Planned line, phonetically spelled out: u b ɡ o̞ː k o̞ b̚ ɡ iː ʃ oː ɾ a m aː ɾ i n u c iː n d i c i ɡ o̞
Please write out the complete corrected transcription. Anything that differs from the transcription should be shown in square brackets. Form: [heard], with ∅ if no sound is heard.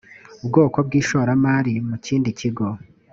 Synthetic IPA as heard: u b ɡ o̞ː k o̞ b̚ ɡ iː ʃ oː ɾ a m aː ɾ i [m] u c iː n d i c i ɡ o̞